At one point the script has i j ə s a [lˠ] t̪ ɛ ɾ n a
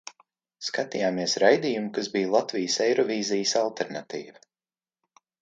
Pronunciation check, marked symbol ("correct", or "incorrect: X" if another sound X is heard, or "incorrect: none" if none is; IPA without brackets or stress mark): correct